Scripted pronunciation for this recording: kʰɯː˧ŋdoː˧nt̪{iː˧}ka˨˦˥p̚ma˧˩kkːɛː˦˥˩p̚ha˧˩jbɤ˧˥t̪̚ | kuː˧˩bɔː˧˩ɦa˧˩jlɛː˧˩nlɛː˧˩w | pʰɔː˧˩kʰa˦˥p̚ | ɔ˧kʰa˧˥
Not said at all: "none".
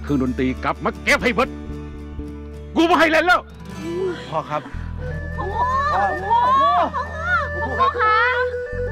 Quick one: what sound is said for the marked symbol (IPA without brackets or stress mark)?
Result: iː˧